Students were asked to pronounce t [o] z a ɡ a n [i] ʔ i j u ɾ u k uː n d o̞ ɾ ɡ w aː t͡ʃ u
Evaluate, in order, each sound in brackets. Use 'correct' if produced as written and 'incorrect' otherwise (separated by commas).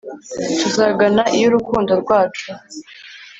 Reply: incorrect, incorrect